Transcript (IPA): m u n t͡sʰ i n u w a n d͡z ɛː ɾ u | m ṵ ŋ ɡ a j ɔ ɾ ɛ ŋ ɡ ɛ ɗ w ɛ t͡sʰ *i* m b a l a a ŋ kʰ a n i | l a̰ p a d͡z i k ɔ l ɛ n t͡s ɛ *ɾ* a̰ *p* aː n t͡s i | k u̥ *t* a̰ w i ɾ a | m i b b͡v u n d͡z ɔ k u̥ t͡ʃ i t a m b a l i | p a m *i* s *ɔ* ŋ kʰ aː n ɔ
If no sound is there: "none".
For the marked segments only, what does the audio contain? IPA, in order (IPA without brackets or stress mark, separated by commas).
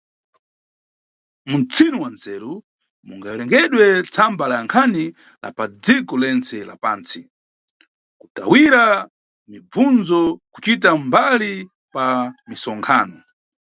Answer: a, l, p, t, i, ɔ